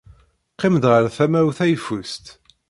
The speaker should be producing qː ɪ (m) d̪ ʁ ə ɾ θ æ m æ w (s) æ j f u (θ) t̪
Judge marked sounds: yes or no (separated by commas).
yes, no, no